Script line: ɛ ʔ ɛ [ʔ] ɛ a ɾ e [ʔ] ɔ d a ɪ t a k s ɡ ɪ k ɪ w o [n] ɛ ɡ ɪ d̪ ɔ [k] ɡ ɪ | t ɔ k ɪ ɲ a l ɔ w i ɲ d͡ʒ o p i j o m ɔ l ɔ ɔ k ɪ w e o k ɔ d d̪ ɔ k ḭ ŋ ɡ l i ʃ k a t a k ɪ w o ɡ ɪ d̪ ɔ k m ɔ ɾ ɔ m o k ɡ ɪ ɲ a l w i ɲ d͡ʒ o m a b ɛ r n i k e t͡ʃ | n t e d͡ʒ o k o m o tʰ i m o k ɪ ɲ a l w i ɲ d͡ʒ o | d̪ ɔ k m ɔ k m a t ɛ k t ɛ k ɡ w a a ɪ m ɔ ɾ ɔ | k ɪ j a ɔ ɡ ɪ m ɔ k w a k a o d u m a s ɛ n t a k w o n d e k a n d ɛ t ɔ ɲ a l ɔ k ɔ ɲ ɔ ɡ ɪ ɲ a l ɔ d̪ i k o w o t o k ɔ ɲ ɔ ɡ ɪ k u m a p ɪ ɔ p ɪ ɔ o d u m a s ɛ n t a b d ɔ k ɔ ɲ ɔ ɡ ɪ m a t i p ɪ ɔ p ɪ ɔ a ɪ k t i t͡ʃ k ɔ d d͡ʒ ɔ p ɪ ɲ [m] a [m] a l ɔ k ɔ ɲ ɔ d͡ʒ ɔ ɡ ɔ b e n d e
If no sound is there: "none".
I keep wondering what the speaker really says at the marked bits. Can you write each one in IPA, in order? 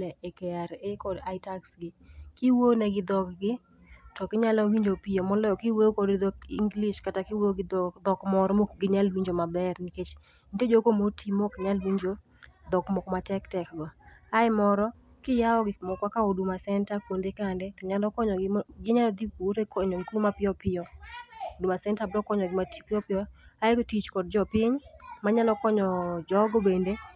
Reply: k, k, n, k, m, ɲ

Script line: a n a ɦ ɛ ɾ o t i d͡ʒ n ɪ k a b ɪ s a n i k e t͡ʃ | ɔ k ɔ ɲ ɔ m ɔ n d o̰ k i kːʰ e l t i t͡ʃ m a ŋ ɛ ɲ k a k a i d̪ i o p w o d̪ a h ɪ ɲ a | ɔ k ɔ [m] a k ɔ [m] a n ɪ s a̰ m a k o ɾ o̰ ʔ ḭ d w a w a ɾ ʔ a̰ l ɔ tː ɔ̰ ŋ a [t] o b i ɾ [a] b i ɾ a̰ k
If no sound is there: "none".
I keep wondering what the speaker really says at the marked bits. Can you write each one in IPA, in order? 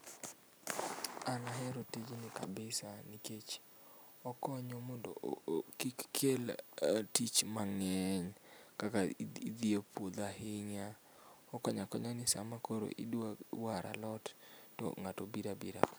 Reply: ɲ, ɲ, t, a

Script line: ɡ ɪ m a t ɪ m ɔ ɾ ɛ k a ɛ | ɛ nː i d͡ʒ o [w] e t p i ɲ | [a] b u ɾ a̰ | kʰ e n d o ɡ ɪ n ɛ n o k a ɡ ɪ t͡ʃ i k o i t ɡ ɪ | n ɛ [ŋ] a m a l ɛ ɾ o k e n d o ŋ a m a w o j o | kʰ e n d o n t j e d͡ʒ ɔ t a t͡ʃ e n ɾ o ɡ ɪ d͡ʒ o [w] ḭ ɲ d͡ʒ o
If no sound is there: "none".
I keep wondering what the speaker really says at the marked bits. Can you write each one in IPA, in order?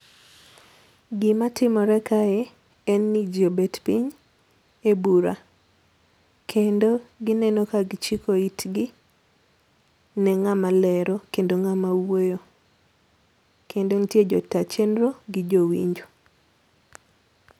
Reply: b, e, ŋ, w

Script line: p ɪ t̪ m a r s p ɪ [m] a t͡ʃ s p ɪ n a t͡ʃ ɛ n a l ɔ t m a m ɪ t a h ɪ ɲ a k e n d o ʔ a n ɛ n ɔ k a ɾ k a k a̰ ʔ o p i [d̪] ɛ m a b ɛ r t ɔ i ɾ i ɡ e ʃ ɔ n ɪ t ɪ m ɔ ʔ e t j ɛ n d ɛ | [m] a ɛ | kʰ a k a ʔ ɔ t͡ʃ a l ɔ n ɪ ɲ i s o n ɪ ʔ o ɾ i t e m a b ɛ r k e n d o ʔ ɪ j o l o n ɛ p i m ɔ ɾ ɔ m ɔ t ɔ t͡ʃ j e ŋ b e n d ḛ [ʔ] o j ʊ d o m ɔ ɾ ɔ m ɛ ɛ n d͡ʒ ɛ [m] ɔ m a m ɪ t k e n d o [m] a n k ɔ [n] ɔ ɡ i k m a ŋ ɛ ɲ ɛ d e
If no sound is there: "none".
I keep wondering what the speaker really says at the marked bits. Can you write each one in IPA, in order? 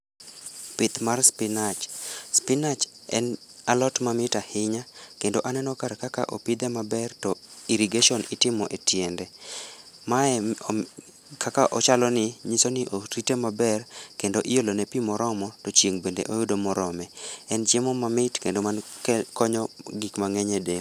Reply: n, d̪, m, ʔ, m, m, ɲ

